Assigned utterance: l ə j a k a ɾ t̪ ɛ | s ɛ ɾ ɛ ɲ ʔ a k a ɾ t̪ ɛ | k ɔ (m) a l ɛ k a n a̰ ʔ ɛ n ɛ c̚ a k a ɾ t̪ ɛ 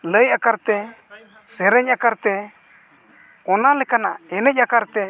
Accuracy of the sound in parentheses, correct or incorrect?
incorrect